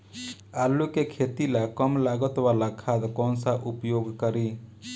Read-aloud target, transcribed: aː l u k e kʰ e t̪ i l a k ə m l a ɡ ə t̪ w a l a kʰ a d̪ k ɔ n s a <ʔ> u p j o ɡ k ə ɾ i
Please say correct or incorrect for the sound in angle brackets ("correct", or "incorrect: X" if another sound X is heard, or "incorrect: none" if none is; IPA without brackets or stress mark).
correct